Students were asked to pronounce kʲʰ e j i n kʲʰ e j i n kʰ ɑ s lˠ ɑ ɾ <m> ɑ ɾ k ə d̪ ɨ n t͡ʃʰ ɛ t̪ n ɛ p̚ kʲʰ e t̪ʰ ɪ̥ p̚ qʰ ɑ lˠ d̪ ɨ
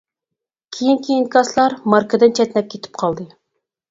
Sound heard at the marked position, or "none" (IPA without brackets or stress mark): m